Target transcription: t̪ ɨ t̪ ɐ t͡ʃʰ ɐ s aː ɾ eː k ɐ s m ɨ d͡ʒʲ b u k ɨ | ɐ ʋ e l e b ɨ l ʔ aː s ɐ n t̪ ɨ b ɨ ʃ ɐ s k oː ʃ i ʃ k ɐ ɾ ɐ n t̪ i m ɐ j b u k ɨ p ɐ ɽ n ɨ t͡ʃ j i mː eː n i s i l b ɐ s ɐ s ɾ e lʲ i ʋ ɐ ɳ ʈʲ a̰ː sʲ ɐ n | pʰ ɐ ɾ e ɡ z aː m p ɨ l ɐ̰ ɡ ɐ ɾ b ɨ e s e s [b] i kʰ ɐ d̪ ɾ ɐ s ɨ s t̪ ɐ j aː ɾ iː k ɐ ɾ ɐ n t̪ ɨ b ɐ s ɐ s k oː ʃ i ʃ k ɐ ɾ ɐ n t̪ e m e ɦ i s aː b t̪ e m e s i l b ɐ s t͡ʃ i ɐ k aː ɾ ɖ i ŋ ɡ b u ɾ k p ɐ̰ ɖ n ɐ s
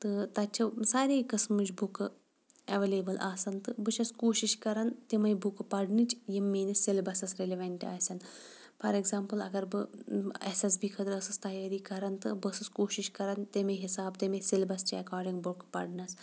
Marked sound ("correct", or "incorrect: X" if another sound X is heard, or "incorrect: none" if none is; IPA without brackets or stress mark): correct